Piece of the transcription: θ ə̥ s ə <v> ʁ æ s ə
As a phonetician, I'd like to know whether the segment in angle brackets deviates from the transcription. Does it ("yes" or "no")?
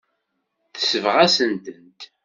no